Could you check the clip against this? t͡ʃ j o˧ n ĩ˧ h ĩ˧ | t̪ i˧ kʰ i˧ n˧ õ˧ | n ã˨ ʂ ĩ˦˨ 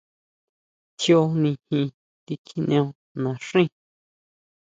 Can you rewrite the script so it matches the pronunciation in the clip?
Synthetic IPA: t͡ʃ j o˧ n ĩ˧ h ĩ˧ | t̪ i˧ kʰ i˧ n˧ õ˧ | n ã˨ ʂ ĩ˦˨

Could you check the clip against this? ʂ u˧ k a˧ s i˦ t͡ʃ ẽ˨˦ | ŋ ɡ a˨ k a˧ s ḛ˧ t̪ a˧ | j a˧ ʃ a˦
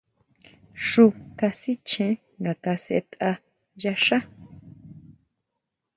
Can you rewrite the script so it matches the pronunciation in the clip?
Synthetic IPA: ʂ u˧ k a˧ s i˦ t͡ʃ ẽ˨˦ | ŋ ɡ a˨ k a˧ s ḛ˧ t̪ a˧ | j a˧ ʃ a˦

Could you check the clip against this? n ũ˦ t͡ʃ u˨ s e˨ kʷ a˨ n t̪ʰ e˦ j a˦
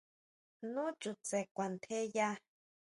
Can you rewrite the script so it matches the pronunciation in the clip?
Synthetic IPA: n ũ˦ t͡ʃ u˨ t͡s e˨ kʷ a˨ n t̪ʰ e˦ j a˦

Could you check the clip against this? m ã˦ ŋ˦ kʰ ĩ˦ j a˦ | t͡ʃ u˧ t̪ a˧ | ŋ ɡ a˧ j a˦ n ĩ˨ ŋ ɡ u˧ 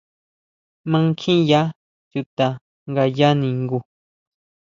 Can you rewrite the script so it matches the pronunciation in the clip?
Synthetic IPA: m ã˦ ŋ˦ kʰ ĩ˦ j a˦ | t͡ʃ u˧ t̪ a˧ | ŋ ɡ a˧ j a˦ n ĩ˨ ŋ ɡ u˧

